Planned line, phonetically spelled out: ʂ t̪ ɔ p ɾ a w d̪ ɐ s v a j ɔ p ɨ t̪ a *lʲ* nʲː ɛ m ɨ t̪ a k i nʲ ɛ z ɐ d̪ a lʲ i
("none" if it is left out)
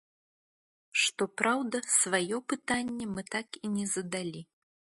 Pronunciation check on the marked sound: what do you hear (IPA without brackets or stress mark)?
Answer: none